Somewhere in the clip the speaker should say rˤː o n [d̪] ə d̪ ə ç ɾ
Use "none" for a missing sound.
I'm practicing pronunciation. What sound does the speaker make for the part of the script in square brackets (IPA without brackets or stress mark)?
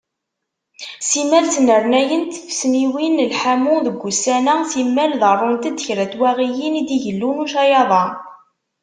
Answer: t̪